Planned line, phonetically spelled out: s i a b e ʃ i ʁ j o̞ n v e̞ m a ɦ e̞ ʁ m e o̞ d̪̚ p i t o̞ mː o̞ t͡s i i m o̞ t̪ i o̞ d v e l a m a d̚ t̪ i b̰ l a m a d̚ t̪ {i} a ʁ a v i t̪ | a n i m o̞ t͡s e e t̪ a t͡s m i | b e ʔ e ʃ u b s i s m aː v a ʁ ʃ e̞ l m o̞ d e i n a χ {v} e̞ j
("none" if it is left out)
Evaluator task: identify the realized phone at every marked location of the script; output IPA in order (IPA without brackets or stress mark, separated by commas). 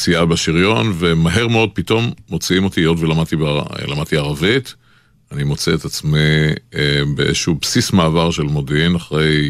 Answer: i, ʁ